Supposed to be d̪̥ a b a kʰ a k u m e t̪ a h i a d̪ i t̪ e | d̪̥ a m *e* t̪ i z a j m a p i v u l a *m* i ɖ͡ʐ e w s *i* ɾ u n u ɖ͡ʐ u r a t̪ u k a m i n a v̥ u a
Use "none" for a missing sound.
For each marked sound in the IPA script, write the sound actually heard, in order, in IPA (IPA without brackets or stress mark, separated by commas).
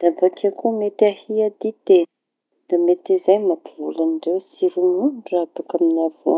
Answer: e, n, i